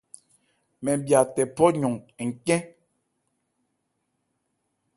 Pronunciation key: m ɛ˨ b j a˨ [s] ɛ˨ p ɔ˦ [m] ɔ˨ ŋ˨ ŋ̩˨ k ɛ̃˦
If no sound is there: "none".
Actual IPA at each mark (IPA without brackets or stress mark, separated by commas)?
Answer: t, ɲ